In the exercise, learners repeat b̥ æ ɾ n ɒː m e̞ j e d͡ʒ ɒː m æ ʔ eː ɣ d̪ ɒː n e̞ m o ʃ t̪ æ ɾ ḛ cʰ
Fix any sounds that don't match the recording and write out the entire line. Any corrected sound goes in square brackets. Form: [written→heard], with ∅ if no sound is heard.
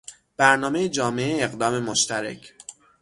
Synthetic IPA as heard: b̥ æ ɾ n ɒː m e̞ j e d͡ʒ ɒː m [æ→e] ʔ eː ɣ d̪ ɒː [n→m] e̞ m o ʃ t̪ æ ɾ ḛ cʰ